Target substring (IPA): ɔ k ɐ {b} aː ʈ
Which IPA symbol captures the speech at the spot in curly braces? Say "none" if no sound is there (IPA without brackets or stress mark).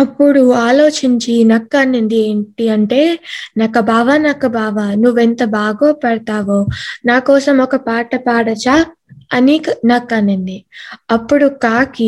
p